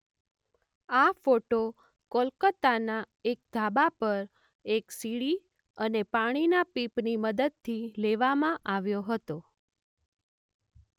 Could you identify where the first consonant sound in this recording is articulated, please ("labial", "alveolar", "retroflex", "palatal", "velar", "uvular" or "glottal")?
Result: labial